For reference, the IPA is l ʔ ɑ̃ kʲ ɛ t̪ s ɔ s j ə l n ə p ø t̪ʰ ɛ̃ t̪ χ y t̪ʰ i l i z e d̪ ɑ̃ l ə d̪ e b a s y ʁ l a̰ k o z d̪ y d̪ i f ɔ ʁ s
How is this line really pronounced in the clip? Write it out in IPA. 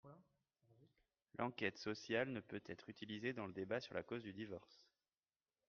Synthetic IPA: l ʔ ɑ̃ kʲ ɛ t̪ s ɔ s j a l n ə p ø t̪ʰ ɛ t̪ χ y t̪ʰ i l i z e d̪ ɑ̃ l ə d̪ e b a s y ʁ l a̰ k o z d̪ y d̪ i v ɔ ʁ s